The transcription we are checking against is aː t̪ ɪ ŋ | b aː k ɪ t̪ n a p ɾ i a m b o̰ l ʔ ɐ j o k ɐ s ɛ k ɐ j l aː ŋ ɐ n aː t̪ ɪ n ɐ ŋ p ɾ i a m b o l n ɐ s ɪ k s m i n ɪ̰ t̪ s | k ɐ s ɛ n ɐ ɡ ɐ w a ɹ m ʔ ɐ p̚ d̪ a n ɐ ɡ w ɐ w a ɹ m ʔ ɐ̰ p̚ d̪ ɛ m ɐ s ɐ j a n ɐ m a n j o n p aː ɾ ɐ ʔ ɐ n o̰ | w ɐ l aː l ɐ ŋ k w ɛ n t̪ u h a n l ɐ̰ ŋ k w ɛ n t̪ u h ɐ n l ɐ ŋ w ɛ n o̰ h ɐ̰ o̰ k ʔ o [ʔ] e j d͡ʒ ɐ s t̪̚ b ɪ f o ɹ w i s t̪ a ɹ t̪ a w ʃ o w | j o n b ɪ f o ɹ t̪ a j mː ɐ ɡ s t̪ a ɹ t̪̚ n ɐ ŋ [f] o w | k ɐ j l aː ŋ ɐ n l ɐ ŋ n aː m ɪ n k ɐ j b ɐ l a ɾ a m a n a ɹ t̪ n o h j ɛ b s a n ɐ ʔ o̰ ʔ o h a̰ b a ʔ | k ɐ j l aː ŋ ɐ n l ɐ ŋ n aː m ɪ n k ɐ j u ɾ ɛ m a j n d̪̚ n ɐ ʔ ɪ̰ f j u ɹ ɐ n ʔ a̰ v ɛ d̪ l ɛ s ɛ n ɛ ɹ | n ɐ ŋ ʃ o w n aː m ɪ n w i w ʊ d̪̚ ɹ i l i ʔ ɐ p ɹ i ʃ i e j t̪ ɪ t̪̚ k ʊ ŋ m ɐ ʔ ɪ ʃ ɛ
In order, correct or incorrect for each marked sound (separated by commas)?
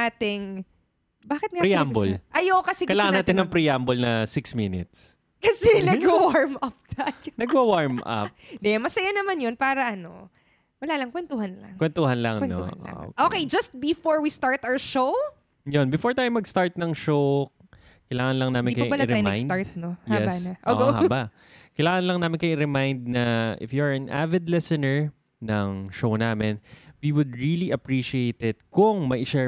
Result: incorrect, incorrect